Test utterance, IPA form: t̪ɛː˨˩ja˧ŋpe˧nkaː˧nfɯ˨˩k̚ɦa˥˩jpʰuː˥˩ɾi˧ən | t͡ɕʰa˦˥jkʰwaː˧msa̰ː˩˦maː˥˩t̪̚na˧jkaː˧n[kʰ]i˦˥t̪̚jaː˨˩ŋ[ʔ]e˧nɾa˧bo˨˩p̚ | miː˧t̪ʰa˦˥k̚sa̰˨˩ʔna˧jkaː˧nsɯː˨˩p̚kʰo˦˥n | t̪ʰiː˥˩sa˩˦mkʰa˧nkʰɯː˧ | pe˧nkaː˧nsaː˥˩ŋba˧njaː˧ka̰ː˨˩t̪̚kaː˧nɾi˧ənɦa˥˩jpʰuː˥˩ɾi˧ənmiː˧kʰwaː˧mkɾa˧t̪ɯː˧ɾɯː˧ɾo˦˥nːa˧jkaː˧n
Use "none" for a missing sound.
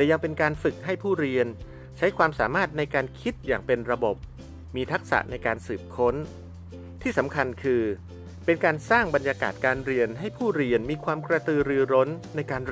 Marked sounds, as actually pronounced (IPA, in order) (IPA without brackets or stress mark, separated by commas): kʰ, p